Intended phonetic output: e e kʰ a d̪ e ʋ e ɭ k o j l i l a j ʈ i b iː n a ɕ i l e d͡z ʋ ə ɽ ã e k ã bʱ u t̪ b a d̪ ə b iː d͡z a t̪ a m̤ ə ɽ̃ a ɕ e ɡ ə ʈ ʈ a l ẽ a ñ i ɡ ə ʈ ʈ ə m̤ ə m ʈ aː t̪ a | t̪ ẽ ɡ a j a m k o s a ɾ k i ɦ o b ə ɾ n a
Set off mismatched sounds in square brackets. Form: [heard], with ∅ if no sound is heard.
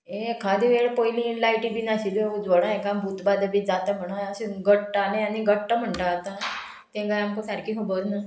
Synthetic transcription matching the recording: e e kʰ a d̪ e ʋ e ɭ [p] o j l i l a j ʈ i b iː n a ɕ i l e d͡z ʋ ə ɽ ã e k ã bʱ u t̪ b a d̪ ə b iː d͡z a t̪ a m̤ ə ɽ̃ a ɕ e ɡ ə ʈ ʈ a l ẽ a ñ i ɡ ə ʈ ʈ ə m̤ ə [ɳ] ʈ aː t̪ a | t̪ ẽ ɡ a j a m k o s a ɾ k i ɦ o b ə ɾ n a